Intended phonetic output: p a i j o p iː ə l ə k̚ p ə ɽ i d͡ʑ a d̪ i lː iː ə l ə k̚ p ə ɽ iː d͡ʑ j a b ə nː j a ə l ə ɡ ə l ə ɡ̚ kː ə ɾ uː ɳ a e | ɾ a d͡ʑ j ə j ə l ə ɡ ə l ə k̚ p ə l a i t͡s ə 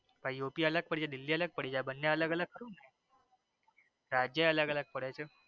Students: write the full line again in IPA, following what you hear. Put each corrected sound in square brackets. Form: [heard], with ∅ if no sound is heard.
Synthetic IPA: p a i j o p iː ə l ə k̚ p ə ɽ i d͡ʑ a d̪ i lː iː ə l ə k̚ p ə ɽ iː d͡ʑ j a b ə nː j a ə l ə ɡ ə l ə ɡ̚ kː ə ɾ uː [n] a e | ɾ a d͡ʑ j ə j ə l ə ɡ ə l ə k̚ p ə [ɽ] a [j] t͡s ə